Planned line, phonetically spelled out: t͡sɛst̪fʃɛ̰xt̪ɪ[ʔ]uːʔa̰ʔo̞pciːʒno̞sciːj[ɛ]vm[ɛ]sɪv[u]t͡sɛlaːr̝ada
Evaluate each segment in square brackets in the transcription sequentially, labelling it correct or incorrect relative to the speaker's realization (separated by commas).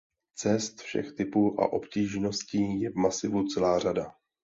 incorrect, correct, incorrect, correct